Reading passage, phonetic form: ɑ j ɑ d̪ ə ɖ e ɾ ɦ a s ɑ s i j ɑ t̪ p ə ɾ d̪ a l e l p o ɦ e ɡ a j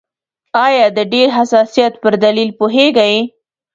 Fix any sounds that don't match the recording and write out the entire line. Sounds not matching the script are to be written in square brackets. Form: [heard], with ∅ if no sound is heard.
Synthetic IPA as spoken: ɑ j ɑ d̪ ə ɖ e ɾ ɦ a s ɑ s i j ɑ t̪ p ə ɾ d̪ a l [i] l p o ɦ e ɡ a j